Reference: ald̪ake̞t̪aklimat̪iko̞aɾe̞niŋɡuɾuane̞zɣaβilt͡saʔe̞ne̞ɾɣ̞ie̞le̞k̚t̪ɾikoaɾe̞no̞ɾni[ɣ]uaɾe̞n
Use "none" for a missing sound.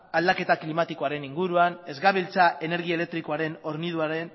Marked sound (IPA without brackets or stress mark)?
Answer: ð